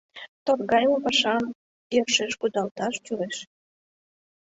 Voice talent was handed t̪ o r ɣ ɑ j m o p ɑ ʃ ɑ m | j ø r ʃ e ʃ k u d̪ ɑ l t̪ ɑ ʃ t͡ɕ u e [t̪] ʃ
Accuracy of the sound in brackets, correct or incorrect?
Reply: incorrect